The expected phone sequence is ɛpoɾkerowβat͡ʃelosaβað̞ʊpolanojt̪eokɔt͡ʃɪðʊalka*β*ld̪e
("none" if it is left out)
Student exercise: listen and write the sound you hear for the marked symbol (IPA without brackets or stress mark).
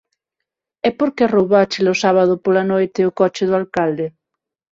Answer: none